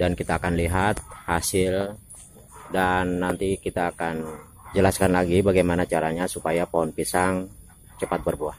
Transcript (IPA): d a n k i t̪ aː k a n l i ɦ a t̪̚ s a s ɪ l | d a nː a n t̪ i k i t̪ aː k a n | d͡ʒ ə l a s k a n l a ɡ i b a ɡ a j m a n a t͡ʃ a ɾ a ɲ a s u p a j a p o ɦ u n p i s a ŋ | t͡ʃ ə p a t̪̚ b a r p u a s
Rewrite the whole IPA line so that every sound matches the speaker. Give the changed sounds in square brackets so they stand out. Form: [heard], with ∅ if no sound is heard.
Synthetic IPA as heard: d a n k i t̪ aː k a n l i ɦ a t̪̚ [h] a s ɪ l | d a nː a n t̪ i k i t̪ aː k a n | d͡ʒ ə l a s k a n l a ɡ i b a ɡ a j m a n a t͡ʃ a ɾ a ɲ a s u p a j a p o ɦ [ɔ] n p i s a ŋ | t͡ʃ ə p a t̪̚ b [ə] r [b] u a [h]